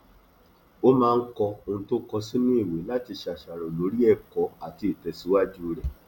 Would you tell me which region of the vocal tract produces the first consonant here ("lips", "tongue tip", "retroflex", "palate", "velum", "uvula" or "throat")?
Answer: lips